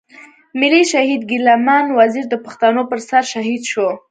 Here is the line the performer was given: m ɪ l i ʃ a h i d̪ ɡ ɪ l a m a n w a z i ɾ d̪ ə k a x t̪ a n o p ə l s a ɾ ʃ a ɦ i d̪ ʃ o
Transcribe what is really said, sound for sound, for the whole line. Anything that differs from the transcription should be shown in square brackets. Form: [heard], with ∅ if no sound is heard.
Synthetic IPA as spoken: m ɪ l i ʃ a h i d̪ ɡ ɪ l a m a n w a z i ɾ d̪ ə [p] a x t̪ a n o p ə [ɾ] s a ɾ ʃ a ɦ i d̪ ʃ o